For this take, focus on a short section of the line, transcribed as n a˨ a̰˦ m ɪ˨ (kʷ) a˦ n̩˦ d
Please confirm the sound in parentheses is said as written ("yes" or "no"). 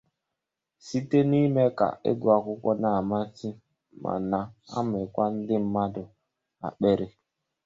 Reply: yes